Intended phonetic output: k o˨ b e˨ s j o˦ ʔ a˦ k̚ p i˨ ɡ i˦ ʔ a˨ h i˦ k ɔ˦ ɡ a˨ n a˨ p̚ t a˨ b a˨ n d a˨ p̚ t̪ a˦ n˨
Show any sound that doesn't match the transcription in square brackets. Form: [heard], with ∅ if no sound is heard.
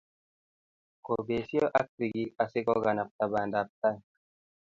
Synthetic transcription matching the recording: k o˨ b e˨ s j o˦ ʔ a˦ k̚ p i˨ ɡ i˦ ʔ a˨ [s] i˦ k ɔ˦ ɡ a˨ n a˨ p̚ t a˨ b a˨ n d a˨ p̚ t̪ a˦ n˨